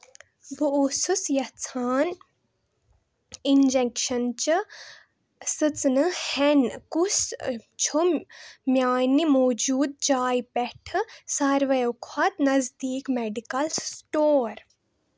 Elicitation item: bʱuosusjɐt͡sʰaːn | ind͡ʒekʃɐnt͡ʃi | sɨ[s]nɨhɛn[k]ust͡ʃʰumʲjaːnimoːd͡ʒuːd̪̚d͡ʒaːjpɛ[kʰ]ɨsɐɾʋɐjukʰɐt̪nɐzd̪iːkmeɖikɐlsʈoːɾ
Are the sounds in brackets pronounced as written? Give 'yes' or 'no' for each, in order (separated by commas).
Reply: no, yes, no